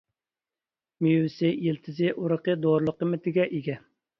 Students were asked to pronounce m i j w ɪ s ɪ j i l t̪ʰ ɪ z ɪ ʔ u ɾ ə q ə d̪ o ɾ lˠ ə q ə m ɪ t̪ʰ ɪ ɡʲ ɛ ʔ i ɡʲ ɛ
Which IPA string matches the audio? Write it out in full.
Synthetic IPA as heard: m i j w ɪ s ɪ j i l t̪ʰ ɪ z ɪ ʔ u ɾ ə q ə d̪ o ɾ lˠ ə q ə m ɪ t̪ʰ ɪ ɡʲ ɛ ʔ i ɡʲ ɛ

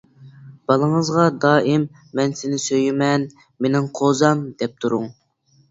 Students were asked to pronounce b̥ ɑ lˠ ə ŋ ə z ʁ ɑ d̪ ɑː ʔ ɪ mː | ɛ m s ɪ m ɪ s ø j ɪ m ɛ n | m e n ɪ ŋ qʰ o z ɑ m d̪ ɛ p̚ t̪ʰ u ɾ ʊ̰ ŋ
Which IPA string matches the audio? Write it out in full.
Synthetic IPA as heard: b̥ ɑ lˠ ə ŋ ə z ʁ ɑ d̪ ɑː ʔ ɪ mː | ɛ n s ɪ n ɪ s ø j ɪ m ɛ n | m e n ɪ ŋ qʰ o z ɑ m d̪ ɛ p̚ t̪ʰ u ɾ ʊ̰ ŋ

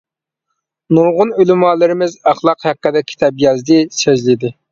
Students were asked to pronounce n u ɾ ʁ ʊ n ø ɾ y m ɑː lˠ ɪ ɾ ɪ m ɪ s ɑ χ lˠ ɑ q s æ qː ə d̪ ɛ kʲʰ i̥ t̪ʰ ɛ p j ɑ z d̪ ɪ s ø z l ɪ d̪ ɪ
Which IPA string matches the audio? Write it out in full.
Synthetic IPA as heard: n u ɾ ʁ ʊ n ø l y m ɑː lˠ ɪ ɾ ɪ m ɪ z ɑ χ lˠ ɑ q h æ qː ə d̪ ɛ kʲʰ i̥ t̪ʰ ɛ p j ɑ z d̪ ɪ s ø z l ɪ d̪ ɪ

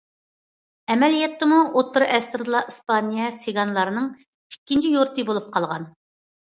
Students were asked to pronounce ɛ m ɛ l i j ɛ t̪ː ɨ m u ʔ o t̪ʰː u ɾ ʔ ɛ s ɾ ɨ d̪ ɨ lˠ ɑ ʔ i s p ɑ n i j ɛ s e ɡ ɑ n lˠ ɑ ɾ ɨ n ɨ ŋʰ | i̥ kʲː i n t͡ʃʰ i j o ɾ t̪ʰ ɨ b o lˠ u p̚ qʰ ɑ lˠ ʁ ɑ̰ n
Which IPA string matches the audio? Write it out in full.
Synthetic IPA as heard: ɛ m ɛ l i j ɛ t̪ː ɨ m u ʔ o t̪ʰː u ɾ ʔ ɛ s ɾ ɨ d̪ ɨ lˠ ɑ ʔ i s p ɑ n i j ɛ s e ɡ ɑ n lˠ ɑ ɾ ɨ n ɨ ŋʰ | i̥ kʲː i n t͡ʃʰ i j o ɾ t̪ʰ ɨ b o lˠ u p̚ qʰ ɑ lˠ ʁ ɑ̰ n

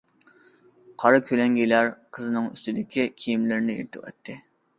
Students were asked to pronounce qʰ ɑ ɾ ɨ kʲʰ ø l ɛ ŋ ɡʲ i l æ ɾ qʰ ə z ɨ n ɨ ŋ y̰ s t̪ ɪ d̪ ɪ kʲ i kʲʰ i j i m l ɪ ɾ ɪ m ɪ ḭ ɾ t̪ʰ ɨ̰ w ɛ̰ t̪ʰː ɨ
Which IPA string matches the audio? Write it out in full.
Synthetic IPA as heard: qʰ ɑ ɾ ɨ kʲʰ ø l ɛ ŋ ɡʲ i l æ ɾ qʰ ə z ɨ n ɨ ŋ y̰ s t̪ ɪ d̪ ɪ kʲ i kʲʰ i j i m l ɪ ɾ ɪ n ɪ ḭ ɾ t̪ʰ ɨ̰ w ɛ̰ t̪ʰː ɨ

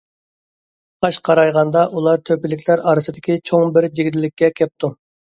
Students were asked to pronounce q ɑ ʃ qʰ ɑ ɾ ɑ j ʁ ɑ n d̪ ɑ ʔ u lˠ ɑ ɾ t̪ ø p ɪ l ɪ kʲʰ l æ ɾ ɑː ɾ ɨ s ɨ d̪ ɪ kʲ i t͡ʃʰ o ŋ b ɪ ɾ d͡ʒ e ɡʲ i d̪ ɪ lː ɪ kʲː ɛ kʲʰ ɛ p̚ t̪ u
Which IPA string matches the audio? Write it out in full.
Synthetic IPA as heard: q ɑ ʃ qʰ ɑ ɾ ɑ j ʁ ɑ n d̪ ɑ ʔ u lˠ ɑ ɾ t̪ʰ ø p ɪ l ɪ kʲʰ l æ ɾ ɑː ɾ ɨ s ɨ d̪ ɪ kʲ i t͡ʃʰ o ŋ b ɪ ɾ d͡ʒ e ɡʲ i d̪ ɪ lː ɪ kʲː ɛ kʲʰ ɛ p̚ t̪ u

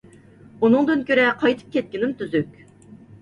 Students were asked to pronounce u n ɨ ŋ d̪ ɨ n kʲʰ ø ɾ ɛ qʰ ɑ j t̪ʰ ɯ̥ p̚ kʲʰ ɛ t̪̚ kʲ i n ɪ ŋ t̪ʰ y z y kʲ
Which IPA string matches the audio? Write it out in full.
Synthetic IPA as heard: u n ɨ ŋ d̪ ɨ n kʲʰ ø ɾ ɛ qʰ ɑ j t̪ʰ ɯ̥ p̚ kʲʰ ɛ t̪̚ kʲ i n ɪ m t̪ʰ y z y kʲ

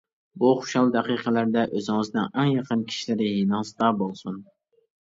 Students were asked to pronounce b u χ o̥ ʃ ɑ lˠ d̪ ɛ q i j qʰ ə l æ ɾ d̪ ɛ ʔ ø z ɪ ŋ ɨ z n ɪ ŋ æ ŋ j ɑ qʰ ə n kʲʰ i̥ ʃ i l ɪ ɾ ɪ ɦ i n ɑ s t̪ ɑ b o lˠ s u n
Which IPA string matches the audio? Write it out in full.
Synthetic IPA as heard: b u χ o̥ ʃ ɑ lˠ d̪ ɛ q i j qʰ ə l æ ɾ d̪ ɛ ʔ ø z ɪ ŋ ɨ z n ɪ ŋ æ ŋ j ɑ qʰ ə n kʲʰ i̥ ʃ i l ɪ ɾ ɪ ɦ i n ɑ s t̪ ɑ b o lˠ s u n

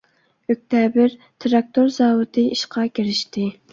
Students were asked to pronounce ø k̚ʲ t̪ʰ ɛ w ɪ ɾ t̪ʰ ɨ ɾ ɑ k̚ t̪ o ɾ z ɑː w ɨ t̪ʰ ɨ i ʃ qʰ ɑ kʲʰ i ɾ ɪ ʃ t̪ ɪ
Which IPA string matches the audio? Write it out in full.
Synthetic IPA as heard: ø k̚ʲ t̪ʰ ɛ b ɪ ɾ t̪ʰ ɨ ɾ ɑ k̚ t̪ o ɾ z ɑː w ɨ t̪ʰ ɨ i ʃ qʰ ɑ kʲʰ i ɾ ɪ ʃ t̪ ɪ

